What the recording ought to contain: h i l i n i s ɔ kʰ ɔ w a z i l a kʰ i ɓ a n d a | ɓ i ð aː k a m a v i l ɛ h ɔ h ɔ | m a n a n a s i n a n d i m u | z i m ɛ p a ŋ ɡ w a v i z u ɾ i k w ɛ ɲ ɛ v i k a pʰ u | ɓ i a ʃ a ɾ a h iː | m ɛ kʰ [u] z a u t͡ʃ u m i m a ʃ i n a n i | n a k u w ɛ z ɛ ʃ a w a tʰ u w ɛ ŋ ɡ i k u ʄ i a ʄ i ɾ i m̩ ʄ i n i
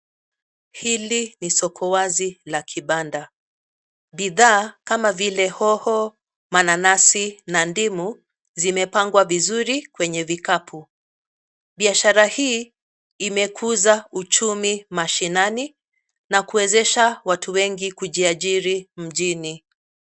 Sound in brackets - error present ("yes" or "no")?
no